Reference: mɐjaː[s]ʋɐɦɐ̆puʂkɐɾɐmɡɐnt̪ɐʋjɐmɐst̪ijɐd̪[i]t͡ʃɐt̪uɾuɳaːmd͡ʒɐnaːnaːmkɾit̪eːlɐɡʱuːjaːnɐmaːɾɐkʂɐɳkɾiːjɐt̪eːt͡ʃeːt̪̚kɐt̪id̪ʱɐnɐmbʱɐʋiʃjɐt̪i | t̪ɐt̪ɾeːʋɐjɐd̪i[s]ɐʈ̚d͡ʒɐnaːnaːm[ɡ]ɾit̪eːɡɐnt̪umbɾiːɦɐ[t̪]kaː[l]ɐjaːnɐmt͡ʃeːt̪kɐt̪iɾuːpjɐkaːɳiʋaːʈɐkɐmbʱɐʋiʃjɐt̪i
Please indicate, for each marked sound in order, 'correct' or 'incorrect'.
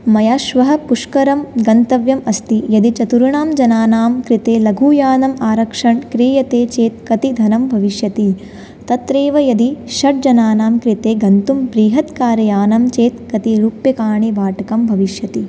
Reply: incorrect, correct, incorrect, incorrect, correct, incorrect

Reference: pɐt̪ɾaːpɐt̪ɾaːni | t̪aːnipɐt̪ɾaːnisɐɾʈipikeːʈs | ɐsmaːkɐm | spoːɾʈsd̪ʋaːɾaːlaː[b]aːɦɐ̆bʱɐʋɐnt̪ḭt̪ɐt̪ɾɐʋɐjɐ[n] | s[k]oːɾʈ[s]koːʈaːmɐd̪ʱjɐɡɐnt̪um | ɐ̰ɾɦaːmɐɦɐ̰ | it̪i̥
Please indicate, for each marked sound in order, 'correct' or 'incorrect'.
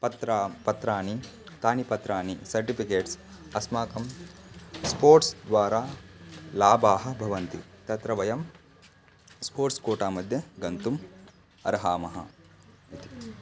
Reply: correct, incorrect, incorrect, correct

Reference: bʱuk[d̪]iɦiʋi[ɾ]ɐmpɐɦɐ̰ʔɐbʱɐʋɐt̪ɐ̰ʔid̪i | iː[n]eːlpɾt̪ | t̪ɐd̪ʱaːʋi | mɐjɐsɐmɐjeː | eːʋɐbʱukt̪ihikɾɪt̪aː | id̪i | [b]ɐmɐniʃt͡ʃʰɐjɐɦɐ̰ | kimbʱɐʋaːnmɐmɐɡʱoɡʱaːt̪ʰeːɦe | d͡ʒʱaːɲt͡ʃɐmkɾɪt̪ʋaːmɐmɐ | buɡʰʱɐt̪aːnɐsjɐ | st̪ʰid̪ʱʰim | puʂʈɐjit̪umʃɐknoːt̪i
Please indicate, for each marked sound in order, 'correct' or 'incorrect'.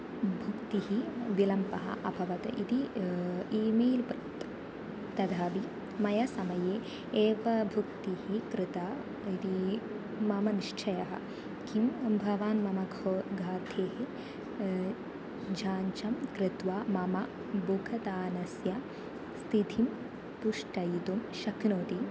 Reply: incorrect, incorrect, incorrect, incorrect

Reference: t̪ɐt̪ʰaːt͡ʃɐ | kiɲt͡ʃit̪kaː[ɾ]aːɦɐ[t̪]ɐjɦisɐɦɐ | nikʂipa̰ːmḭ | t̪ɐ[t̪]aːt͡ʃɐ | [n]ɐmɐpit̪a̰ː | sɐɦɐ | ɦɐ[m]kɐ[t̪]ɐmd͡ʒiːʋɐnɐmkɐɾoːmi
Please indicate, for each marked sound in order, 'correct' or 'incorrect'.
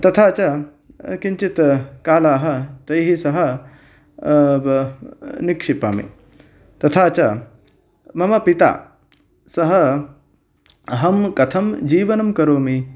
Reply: incorrect, correct, incorrect, incorrect, correct, incorrect

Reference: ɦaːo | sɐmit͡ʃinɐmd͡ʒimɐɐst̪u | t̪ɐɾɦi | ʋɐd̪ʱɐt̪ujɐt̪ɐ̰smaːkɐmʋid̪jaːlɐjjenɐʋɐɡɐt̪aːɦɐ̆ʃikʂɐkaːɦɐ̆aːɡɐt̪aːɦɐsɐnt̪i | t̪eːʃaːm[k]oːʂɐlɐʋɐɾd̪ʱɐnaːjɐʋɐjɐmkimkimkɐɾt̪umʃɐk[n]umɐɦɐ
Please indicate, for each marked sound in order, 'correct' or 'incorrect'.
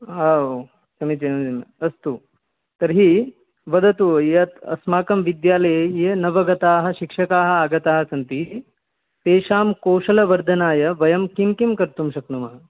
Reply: correct, correct

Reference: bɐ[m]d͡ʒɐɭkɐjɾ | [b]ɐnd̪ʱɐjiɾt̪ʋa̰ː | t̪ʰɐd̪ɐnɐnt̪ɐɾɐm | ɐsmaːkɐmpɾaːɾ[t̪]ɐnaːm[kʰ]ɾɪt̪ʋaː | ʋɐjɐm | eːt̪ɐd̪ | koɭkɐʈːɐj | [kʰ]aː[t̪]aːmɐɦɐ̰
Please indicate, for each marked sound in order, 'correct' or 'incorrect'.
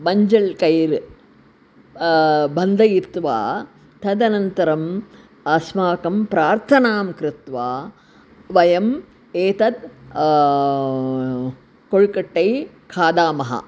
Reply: incorrect, correct, incorrect, incorrect, correct, incorrect

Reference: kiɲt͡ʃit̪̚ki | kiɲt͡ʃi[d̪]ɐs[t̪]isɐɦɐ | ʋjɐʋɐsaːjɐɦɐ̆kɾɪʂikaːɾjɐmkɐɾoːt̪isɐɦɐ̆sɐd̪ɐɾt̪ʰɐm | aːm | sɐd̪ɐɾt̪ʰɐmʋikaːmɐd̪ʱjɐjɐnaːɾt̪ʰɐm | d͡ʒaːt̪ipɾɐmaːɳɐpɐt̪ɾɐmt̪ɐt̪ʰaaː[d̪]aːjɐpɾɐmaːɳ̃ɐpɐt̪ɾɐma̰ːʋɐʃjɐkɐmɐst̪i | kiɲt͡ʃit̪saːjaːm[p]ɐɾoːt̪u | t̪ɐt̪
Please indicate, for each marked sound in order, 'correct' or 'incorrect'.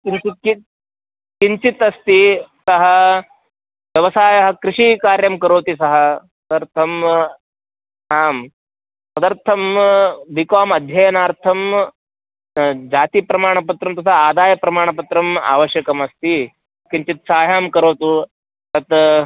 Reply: incorrect, correct, correct, incorrect

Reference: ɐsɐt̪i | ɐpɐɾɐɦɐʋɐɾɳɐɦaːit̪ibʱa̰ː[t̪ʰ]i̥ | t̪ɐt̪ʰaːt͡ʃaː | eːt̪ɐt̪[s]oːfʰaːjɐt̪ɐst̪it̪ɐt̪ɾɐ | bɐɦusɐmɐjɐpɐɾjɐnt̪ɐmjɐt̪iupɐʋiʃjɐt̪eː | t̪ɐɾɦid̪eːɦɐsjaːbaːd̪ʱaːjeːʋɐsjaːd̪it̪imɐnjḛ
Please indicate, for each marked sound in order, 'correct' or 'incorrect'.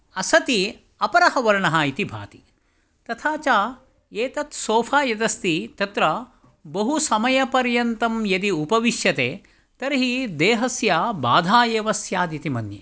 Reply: incorrect, correct

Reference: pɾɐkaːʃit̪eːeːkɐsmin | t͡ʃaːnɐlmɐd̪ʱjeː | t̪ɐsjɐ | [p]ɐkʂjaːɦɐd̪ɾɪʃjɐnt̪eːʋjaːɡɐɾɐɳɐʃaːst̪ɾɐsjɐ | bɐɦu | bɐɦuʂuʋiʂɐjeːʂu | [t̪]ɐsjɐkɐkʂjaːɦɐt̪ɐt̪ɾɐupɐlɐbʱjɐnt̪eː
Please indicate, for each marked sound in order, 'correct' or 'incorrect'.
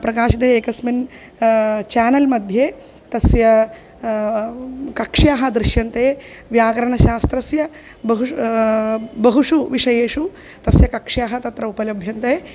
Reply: incorrect, correct

